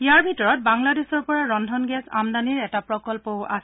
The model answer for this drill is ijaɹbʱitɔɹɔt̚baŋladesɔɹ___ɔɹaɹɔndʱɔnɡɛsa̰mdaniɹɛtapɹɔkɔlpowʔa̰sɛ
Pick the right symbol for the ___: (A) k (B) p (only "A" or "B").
B